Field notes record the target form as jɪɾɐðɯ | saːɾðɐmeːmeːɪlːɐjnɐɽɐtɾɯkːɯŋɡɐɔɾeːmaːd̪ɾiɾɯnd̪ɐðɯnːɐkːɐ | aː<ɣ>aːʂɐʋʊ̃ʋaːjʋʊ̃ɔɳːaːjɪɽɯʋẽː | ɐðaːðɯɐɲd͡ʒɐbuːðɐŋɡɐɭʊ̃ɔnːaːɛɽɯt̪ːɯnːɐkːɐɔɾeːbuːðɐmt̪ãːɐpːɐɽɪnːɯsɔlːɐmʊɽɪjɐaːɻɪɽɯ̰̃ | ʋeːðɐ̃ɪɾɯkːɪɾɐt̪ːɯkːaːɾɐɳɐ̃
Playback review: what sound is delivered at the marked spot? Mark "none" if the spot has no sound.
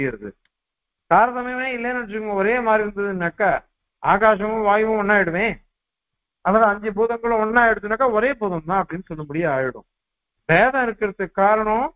ɣ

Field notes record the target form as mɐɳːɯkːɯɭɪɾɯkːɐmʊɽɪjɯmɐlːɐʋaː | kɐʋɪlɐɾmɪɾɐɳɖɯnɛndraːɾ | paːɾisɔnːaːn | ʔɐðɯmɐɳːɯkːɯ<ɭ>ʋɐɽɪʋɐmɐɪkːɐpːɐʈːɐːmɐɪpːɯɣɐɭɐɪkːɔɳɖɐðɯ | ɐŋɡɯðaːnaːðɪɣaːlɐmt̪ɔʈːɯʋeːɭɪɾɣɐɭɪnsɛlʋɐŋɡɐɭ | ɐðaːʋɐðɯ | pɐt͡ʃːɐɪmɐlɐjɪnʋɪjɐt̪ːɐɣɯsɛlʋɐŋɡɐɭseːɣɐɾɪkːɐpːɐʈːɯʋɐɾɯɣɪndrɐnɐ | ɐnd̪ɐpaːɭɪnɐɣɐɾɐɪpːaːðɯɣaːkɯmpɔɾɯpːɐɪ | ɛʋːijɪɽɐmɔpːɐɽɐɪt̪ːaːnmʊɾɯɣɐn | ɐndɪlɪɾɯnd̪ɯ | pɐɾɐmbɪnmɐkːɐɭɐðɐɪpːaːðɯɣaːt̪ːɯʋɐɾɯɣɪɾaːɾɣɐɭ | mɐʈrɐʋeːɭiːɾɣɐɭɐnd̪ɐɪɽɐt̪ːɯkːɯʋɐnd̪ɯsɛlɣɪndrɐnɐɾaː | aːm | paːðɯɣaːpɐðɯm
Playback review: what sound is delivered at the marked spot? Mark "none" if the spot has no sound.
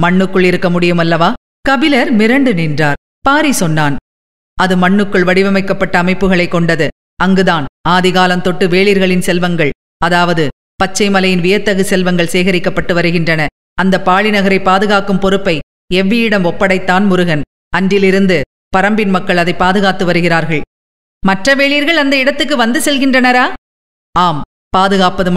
ɭ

